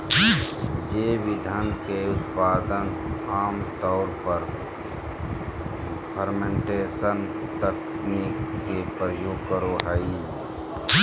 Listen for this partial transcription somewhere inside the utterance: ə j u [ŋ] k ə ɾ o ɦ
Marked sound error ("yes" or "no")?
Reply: yes